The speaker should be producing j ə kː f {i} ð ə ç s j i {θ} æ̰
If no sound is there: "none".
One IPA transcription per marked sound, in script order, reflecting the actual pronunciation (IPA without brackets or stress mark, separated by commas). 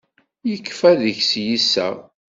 æ, s